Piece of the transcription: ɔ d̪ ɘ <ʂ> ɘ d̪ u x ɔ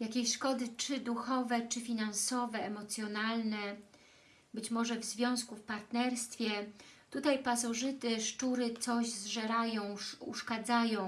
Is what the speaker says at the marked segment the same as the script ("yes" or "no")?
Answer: no